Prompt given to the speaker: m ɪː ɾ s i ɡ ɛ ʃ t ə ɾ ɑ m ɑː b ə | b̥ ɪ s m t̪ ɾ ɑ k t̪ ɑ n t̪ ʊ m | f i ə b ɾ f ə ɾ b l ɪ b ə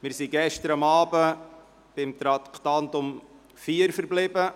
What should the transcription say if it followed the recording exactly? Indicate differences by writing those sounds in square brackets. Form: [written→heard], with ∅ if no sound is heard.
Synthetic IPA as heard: m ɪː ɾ s i ɡ ɛ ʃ t ə ɾ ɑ m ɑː b ə | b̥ ɪ [s→∅] m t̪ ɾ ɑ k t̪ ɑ n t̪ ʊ m | f i ə [b→∅] ɾ f ə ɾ b l ɪ b ə